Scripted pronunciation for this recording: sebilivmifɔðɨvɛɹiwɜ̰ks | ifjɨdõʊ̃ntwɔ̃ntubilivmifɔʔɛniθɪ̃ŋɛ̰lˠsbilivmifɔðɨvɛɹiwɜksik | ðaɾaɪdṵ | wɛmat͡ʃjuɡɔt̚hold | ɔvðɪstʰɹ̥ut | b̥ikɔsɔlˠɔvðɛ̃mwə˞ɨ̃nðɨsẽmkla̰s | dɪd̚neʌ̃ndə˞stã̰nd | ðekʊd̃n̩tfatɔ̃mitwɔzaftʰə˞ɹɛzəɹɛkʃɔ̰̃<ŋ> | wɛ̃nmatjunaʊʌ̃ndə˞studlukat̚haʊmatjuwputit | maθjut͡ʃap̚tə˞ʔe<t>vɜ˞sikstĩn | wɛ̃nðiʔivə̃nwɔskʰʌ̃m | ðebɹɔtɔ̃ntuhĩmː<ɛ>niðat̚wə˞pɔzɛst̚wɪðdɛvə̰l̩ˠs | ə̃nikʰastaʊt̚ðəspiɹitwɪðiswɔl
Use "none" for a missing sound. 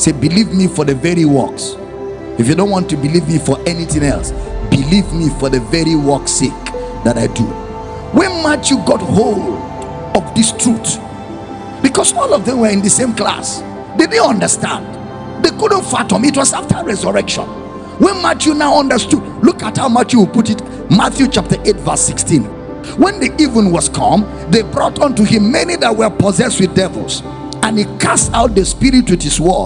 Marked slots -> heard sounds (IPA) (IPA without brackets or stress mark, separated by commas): n, t, ɛ